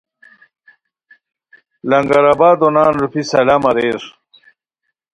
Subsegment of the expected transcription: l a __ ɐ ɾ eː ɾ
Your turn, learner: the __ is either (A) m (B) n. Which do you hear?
A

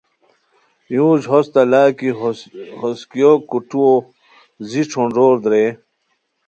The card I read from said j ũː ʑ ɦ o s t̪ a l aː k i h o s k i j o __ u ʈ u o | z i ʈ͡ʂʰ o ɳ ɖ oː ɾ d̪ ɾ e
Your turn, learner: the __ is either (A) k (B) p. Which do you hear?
A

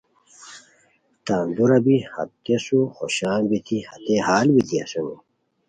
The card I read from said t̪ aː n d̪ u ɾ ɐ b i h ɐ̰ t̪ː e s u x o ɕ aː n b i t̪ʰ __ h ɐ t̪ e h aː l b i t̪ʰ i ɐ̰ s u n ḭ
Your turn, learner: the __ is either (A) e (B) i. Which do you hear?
B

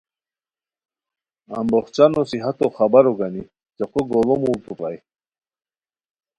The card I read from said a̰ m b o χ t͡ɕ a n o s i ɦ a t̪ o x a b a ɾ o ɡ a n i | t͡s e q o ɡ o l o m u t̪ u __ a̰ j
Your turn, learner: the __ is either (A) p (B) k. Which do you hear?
A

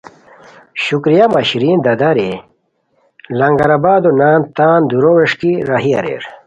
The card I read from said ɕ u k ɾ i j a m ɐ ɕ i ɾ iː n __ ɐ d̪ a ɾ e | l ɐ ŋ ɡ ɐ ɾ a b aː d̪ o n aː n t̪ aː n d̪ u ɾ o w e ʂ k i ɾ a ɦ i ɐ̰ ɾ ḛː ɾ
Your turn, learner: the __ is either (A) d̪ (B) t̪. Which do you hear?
A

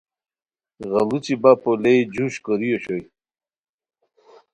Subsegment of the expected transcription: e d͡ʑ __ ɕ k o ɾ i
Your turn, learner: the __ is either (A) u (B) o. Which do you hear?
A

